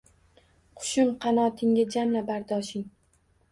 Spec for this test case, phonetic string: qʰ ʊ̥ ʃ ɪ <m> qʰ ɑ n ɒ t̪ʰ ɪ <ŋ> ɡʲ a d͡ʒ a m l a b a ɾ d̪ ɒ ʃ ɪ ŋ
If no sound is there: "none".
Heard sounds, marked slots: m, ŋ

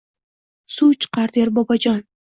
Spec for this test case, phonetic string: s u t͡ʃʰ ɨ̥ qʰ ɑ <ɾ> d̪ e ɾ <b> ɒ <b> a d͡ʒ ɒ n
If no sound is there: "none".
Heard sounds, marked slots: ɾ, b, b

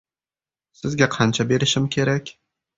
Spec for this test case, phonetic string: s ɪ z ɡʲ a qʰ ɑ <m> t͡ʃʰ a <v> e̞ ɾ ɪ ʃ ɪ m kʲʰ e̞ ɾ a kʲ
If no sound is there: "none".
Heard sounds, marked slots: n, b

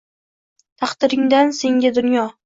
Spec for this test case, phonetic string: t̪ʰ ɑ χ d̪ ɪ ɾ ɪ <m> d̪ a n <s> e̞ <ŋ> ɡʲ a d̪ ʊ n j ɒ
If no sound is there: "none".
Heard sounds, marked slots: ŋ, s, ŋ

